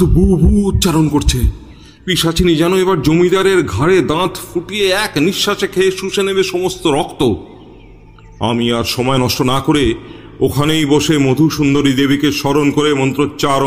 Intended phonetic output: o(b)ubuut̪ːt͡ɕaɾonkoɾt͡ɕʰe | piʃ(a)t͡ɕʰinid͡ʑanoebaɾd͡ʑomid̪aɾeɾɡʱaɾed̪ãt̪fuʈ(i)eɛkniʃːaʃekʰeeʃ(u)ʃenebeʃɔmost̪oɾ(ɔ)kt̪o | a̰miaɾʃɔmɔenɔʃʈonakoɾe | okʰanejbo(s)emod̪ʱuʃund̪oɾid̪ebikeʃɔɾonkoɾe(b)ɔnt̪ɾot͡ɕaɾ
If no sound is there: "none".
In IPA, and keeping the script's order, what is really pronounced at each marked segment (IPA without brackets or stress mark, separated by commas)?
b, a, i, u, ɔ, ʃ, m